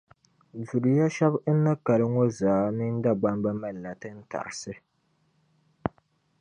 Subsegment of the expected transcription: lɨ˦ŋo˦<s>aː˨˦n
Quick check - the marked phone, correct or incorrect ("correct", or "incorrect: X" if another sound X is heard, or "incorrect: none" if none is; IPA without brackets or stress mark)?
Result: incorrect: z